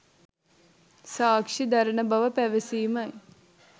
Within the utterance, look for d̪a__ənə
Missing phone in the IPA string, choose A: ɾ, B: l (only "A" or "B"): A